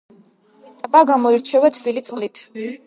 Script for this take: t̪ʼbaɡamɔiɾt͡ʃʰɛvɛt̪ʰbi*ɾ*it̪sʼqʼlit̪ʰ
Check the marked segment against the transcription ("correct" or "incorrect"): incorrect